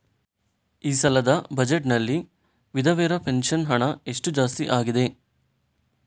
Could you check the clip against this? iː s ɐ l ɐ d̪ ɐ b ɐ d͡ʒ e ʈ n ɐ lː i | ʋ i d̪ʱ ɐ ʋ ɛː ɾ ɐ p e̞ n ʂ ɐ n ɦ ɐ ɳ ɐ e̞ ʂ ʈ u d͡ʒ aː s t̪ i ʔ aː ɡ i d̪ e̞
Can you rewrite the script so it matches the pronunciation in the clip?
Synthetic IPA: iː s ɐ l ɐ d̪ ɐ b ɐ d͡ʒ e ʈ n ɐ lː i | ʋ i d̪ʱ ɐ ʋ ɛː ɾ ɐ p e̞ n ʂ ɐ n ɦ ɐ ɳ ɐ e̞ ʂ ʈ u d͡ʒ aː s t̪ i ʔ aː ɡ i d̪ e̞

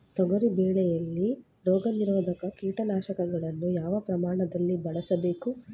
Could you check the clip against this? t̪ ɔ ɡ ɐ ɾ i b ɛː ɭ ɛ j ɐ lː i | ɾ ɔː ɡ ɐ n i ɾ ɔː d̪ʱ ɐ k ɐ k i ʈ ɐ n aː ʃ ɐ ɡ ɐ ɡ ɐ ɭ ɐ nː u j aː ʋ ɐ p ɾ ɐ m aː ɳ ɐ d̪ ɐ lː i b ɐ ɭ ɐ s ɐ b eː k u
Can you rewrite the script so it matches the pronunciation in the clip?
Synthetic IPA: t̪ ɔ ɡ ɐ ɾ i b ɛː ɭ ɛ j ɐ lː i | ɾ ɔː ɡ ɐ n i ɾ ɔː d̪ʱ ɐ k ɐ k iː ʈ ɐ n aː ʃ ɐ k ɐ ɡ ɐ ɭ ɐ nː u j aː ʋ ɐ p ɾ ɐ m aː ɳ ɐ d̪ ɐ lː i b ɐ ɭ ɐ s ɐ b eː k u

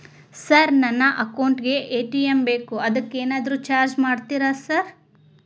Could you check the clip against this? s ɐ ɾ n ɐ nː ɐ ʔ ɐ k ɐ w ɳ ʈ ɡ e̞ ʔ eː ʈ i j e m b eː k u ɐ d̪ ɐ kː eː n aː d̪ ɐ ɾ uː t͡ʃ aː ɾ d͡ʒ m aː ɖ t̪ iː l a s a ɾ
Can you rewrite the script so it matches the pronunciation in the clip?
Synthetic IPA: s ɐ ɾ n ɐ nː ɐ ʔ ɐ k ɐ w ɳ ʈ ɡ e̞ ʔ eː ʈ i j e m b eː k u ɐ d̪ ɐ kː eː n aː d̪ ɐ ɾ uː t͡ʃ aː ɾ d͡ʒ m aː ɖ t̪ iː ɾ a s ɐ ɾ

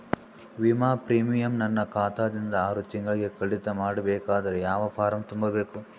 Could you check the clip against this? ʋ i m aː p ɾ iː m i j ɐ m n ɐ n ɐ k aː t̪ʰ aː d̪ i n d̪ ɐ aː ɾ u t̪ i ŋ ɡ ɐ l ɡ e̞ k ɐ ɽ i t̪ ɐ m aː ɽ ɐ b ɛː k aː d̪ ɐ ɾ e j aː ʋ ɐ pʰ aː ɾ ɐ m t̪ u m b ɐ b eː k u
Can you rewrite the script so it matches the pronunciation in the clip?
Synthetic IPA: ʋ i m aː p ɾ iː m i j ɐ m n ɐ nː ɐ k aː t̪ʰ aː d̪ i n d̪ ɐ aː ɾ u t̪ i ŋ ɡ ɐ ɭ ɡ e̞ k ɐ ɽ i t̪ ɐ m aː ɽ ɐ b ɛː k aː d̪ ɐ ɾ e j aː ʋ ɐ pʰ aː ɾ ɐ m t̪ u m b ɐ b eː k u

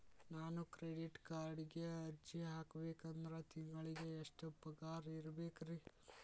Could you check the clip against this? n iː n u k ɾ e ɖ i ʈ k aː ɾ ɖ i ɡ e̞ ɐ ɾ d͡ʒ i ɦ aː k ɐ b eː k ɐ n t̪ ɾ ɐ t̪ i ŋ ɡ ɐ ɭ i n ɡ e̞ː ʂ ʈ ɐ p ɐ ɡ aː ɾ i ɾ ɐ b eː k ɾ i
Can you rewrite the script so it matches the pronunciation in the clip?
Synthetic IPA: n aː n u k ɾ e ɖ i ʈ k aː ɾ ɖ i ɡ e̞ ɐ ɾ d͡ʒ i ɦ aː k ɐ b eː k ɐ n d̪ ɾ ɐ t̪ i ŋ ɡ ɐ ɭ i ɡ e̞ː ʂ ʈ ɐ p ɐ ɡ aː ɾ i ɾ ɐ b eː k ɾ i

